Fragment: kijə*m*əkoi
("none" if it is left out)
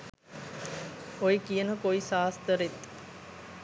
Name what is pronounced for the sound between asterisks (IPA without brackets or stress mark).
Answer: n